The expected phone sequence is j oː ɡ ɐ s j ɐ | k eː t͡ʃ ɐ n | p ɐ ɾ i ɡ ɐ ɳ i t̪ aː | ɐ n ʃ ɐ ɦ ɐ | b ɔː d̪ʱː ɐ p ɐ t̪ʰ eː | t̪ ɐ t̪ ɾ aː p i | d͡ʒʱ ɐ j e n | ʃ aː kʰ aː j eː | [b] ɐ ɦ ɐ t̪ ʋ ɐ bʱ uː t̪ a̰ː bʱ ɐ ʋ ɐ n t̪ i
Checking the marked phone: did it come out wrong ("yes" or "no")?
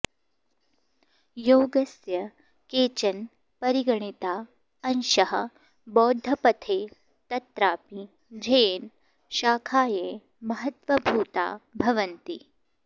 yes